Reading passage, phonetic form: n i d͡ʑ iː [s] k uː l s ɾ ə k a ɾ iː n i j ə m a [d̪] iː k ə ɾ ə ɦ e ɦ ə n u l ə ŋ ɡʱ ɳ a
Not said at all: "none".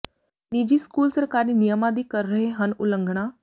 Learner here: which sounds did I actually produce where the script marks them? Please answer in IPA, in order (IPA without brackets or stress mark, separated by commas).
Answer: s, d̪